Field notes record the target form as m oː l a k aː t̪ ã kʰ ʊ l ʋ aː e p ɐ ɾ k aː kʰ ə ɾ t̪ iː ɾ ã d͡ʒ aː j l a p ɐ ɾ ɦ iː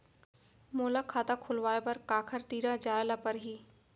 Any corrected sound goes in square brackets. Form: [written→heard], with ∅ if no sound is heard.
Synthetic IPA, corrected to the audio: m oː l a [k→kʰ] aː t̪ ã kʰ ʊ l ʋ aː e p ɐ ɾ k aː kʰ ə ɾ t̪ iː ɾ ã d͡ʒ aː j l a p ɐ ɾ ɦ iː